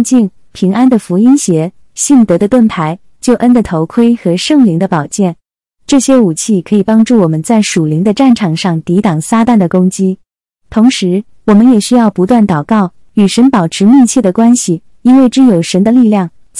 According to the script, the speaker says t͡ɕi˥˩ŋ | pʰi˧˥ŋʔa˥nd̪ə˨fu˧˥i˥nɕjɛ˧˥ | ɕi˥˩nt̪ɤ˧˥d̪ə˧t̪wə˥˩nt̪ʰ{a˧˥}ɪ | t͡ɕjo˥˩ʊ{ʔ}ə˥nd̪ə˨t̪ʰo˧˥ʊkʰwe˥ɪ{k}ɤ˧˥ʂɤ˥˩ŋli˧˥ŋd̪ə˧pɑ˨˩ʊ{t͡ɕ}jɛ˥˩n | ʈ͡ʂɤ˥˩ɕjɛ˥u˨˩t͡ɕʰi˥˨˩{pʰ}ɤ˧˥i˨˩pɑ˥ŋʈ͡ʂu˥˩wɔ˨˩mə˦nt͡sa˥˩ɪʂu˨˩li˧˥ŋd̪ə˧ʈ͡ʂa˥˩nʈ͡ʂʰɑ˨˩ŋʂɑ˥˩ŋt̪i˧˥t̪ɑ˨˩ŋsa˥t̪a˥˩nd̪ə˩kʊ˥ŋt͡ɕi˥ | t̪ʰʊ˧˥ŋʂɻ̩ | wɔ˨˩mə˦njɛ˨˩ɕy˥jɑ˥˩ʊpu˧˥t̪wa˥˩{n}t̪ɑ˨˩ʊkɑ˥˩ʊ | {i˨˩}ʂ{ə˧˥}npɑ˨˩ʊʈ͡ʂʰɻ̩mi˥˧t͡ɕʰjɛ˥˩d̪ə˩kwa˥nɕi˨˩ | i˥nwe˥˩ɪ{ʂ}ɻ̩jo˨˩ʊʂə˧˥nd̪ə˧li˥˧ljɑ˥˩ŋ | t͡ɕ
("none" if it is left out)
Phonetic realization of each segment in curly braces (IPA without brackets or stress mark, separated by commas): a˧˥, ʔ, x, t͡ɕ, kʰ, n, y˨˩, ə˧˥, ʈ͡ʂ